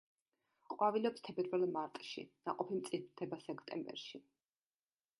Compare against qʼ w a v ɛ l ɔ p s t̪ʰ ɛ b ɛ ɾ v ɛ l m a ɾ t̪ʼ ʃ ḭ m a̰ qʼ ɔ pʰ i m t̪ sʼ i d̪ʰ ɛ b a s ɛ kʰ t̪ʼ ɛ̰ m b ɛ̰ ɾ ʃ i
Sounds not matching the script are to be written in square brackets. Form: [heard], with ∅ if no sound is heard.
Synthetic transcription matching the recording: qʼ w a v [i] l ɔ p s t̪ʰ ɛ b ɛ ɾ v ɛ l m a ɾ t̪ʼ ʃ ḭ [n] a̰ qʼ ɔ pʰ i m t̪ sʼ i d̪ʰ ɛ b a s ɛ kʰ t̪ʼ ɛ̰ m b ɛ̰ ɾ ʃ i